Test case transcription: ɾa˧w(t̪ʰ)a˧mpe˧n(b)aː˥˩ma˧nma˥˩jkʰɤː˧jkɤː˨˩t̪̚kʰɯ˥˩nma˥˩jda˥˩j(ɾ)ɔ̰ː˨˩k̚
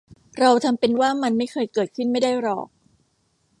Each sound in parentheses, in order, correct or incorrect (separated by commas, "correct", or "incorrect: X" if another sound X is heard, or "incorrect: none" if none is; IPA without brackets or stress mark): correct, incorrect: w, correct